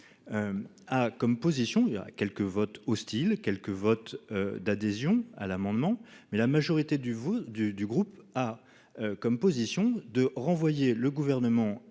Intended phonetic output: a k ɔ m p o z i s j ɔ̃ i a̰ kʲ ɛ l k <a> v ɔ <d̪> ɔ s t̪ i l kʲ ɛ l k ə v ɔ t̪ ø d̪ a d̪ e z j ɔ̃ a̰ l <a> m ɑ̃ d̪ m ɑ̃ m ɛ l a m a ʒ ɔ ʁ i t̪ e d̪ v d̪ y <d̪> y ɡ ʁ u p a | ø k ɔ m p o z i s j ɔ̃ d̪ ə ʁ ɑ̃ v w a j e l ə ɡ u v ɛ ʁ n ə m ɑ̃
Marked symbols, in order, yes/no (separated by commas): no, no, yes, yes